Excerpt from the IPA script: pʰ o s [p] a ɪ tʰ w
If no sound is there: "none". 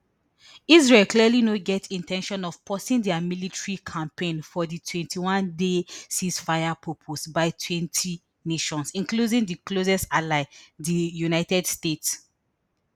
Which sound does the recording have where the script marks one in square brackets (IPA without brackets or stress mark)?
b